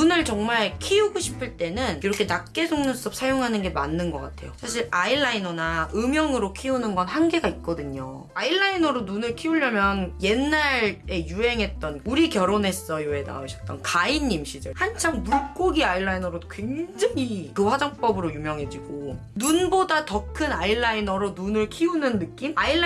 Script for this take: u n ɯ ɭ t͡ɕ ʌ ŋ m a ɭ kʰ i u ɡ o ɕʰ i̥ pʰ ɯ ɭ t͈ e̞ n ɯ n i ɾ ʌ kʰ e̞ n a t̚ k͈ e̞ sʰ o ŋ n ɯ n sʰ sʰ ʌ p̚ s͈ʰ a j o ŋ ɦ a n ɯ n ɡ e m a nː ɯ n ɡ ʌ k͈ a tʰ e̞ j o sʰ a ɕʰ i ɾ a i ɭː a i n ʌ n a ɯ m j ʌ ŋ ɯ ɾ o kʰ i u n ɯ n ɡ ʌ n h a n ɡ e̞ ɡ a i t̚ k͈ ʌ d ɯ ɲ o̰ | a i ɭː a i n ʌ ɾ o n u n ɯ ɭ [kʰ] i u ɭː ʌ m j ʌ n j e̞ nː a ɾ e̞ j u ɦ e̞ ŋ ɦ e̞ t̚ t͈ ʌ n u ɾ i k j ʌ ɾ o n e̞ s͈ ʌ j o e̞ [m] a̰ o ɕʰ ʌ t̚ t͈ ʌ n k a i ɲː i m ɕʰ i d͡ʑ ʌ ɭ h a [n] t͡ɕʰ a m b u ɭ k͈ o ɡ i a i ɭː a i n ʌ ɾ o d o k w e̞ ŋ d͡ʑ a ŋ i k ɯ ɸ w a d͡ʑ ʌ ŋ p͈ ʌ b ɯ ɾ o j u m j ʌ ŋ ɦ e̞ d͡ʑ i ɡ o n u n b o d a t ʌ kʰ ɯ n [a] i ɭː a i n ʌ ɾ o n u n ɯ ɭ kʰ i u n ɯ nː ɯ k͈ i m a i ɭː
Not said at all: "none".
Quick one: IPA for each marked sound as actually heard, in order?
kʰ, n, n, a

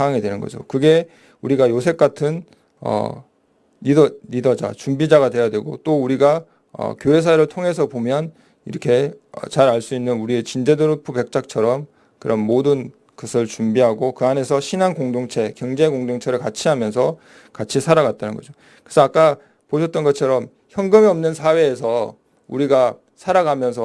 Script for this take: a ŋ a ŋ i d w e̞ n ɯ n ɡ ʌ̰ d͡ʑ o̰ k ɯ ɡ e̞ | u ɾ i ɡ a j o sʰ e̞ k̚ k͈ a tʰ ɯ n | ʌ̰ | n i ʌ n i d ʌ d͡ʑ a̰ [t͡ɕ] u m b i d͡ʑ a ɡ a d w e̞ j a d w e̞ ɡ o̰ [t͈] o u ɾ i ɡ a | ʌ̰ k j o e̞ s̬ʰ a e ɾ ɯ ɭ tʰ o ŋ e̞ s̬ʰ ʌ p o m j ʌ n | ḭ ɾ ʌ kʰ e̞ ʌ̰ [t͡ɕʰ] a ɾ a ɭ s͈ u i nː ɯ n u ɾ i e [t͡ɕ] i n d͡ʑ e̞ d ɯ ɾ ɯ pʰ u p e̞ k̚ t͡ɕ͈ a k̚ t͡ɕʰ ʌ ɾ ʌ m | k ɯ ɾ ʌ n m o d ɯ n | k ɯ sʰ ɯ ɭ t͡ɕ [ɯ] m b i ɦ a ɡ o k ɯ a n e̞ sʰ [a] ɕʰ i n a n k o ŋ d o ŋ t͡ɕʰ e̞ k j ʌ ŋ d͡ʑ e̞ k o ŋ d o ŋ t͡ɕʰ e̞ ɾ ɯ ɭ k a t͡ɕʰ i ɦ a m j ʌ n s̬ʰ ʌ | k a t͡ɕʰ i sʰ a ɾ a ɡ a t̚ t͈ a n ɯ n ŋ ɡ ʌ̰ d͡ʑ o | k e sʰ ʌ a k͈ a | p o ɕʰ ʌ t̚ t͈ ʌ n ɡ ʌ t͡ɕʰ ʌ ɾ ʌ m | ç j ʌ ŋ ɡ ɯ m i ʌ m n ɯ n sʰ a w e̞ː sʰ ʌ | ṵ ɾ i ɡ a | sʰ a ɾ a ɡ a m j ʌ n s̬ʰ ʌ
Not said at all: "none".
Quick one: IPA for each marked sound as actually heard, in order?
t͡ɕ, t͈, t͡ɕ, t͡ɕ, u, ʌ

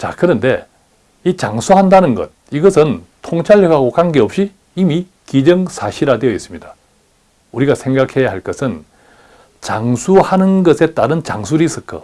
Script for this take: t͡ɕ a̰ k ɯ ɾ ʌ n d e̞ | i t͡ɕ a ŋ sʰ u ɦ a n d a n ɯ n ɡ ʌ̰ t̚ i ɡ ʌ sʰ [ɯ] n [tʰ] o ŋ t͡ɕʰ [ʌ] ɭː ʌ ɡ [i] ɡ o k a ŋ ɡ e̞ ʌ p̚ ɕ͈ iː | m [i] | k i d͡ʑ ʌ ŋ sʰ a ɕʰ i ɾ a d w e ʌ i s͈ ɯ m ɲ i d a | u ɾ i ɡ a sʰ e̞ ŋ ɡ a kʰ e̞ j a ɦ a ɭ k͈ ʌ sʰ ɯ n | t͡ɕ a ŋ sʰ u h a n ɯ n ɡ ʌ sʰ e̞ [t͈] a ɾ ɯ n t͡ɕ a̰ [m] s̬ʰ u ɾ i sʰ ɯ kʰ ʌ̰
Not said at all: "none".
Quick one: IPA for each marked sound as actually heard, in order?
ɯ, tʰ, a, a, i, t͈, ŋ

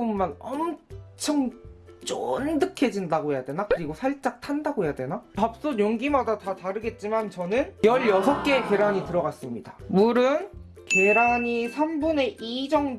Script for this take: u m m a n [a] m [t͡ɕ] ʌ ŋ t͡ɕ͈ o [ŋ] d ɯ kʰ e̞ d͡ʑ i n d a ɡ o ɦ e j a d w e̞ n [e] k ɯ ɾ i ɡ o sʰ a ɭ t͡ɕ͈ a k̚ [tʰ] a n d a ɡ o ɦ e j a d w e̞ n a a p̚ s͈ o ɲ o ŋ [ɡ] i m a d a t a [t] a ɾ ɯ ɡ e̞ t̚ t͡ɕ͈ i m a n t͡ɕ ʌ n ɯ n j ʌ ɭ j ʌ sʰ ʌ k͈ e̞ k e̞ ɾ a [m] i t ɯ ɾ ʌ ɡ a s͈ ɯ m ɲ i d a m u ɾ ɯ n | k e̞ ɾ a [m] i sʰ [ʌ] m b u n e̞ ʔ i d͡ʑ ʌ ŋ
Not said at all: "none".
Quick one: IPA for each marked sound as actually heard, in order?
ʌ, t͡ɕʰ, n, a, tʰ, ɡ, t, ɲ, ɲ, a

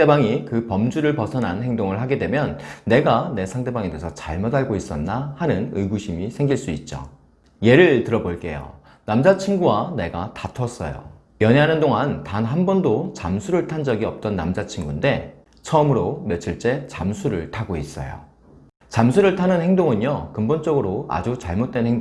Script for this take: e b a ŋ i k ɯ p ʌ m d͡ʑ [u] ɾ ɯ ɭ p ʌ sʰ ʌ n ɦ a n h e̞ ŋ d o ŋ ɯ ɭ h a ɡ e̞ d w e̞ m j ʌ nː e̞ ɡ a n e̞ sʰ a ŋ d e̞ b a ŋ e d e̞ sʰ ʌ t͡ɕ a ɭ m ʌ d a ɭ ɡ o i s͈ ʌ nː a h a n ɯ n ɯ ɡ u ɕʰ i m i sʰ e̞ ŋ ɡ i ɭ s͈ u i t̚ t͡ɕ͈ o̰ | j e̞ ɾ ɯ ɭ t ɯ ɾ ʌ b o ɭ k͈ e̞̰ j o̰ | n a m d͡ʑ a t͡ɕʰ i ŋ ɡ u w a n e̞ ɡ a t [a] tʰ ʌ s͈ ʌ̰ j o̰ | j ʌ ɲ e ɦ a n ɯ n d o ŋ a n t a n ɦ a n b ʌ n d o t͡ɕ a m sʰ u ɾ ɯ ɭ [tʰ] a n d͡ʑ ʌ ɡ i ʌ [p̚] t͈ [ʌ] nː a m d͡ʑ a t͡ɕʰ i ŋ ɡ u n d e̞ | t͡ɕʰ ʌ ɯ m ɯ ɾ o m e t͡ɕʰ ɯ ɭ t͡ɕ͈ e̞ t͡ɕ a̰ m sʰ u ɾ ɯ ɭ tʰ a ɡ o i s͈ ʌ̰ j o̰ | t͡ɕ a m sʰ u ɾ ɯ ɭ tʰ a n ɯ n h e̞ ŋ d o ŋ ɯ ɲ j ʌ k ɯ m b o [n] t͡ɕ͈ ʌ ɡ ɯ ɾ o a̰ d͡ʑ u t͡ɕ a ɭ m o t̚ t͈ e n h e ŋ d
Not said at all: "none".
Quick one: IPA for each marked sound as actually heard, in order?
u, a, tʰ, p̚, ʌ, n

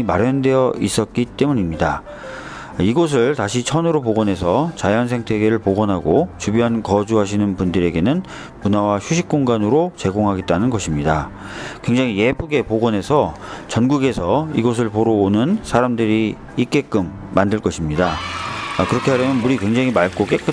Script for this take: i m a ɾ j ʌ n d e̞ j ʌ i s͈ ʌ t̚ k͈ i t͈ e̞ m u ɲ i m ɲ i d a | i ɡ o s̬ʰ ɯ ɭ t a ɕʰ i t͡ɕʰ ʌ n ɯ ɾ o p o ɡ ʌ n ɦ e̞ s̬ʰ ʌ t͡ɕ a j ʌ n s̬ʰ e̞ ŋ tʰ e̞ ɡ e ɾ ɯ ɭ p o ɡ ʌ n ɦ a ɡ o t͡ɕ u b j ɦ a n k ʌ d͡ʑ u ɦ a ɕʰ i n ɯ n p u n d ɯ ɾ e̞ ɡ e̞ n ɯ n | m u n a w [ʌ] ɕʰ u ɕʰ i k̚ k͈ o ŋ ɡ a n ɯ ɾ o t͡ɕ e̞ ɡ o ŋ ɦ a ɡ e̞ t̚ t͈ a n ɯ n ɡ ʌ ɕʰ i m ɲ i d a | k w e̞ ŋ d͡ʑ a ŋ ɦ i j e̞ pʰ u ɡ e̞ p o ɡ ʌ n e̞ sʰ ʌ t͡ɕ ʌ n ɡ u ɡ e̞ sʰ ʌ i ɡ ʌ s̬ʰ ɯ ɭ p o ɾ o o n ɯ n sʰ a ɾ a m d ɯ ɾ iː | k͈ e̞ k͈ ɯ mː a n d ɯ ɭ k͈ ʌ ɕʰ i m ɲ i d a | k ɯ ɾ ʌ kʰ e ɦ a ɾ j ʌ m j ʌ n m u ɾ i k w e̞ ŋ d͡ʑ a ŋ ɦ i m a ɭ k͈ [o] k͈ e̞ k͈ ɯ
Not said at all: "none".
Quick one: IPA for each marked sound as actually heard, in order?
a, o

